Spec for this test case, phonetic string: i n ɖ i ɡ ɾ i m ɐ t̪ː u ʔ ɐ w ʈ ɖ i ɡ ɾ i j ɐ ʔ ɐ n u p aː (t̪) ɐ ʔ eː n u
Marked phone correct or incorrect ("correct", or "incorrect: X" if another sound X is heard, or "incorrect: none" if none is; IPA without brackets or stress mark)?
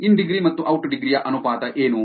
correct